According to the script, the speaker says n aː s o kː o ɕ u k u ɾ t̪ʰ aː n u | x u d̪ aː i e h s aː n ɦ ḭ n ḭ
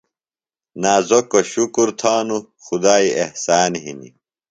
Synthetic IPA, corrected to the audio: n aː z o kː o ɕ u k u ɾ t̪ʰ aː n u | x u d̪ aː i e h s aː n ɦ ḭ n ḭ